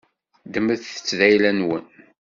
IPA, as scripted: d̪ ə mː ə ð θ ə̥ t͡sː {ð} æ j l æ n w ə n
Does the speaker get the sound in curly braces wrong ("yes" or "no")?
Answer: no